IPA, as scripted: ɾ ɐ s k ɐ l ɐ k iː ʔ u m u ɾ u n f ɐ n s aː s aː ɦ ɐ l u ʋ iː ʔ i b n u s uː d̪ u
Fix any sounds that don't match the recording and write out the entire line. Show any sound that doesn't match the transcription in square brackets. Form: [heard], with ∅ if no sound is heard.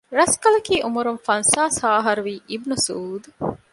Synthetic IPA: ɾ ɐ s k ɐ l ɐ k iː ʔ u m u ɾ u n f ɐ n s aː s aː ɦ ɐ [ɾ] u ʋ iː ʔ i b n u s uː d̪ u